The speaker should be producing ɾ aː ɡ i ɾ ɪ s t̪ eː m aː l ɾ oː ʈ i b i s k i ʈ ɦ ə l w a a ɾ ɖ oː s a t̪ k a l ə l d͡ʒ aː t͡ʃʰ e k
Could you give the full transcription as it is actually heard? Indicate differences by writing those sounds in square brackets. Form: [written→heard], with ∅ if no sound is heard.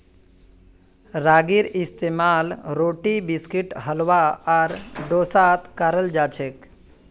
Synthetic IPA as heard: ɾ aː ɡ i ɾ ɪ s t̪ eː m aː l ɾ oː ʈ i b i s k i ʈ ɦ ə l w a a ɾ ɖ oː s a t̪ k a [l→ɾ] ə l d͡ʒ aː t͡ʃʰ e k

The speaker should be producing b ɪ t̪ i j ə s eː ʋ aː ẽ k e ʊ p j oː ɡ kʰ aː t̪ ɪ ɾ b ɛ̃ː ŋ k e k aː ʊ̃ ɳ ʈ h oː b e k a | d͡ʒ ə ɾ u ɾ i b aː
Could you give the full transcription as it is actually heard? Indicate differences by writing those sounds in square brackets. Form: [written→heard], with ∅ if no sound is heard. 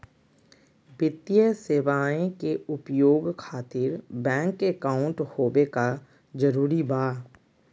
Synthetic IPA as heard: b ɪ t̪ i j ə s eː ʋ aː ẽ k e ʊ p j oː ɡ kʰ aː t̪ ɪ ɾ b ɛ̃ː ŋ k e k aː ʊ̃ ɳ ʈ h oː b e k a | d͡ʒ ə ɾ [u→uː] ɾ i b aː

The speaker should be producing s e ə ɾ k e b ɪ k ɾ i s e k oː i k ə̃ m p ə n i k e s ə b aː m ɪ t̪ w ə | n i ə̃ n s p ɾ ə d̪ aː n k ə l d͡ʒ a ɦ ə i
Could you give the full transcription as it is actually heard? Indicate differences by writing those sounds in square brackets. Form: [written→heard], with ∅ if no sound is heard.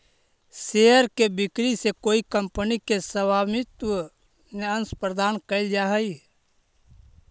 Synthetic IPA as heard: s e ə ɾ k e b ɪ k ɾ i s e k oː i k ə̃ m p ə n i k e s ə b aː m ɪ t̪ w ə | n [i→e] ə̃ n s p ɾ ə d̪ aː n k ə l d͡ʒ a ɦ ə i

